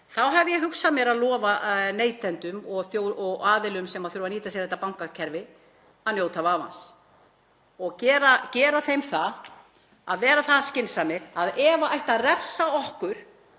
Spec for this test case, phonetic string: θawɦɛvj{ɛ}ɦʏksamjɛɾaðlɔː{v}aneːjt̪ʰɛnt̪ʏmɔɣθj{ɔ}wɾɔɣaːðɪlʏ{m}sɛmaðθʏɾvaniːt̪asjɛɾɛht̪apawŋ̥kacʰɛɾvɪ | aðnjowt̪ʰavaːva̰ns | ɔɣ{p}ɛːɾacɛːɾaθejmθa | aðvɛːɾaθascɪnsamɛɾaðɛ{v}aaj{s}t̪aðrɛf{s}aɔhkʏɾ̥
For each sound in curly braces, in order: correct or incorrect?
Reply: correct, correct, incorrect: o, correct, incorrect: c, correct, incorrect: h, correct

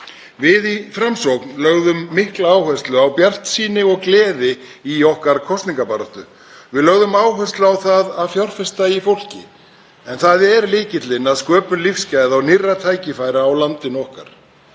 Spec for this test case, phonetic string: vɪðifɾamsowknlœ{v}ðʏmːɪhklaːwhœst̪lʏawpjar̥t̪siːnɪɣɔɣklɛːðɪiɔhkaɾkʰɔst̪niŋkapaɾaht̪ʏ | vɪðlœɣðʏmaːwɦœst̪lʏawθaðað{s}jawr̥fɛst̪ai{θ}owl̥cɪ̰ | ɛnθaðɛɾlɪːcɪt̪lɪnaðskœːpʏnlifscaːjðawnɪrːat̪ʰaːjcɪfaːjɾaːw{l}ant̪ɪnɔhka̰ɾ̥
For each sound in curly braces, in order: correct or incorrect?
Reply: incorrect: ɣ, incorrect: f, incorrect: f, correct

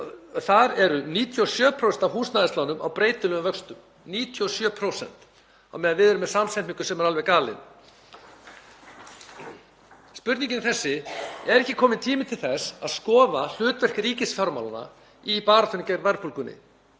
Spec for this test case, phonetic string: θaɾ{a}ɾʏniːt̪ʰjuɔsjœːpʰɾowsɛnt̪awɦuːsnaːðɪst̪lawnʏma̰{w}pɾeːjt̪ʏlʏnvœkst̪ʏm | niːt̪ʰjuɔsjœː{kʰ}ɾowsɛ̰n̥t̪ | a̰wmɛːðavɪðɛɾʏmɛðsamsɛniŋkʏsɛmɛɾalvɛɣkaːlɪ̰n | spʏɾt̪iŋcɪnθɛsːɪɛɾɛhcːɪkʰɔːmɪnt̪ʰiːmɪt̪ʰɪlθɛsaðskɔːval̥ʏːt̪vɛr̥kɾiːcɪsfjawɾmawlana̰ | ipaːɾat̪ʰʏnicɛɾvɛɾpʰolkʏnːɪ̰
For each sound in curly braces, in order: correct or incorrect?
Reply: incorrect: ɛ, correct, incorrect: pʰ

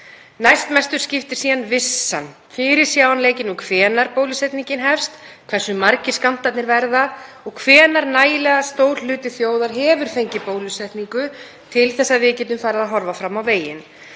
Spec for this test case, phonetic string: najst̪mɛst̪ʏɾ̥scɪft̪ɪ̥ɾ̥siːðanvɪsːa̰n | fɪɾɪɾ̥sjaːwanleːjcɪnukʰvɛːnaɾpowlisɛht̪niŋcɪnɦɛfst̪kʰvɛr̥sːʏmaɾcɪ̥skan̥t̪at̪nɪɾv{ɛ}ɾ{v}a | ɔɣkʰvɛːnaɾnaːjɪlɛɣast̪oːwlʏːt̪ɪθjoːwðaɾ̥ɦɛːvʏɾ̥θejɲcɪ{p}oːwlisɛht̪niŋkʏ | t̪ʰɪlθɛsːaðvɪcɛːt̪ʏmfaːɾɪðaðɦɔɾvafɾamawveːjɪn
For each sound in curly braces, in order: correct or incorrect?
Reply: correct, incorrect: ð, correct

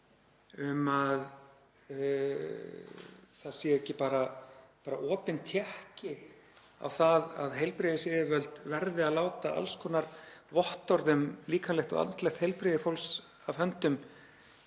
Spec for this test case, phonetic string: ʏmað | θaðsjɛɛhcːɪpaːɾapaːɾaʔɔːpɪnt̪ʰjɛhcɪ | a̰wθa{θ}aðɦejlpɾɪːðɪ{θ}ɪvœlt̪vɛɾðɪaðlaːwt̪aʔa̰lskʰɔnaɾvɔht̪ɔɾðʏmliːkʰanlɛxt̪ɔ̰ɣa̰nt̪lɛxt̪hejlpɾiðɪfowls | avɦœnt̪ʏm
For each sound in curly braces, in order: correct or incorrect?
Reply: incorrect: ð, incorrect: s

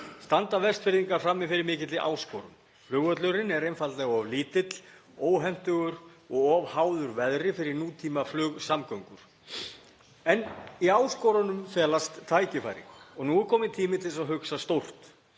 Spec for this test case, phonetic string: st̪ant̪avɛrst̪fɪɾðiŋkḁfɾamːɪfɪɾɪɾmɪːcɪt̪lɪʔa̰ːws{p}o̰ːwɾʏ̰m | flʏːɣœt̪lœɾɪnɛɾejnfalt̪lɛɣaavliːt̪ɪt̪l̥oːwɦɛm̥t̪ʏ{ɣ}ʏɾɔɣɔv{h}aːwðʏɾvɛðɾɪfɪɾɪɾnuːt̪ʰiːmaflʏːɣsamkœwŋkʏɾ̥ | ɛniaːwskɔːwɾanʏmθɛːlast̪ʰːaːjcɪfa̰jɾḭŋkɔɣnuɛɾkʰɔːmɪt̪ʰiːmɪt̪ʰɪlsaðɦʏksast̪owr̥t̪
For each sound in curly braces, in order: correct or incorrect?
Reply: incorrect: k, correct, correct

